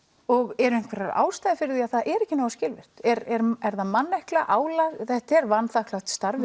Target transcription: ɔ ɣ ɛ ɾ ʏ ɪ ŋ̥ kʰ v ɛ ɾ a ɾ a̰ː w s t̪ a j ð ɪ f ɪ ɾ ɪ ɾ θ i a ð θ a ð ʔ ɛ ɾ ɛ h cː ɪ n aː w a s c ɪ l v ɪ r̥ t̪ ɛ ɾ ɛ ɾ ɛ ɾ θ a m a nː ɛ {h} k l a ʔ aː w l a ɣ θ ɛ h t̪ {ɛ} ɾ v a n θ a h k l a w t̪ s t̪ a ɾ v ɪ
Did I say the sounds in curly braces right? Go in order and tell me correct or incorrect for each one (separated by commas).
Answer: correct, correct